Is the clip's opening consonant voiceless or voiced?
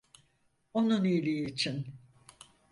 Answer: voiced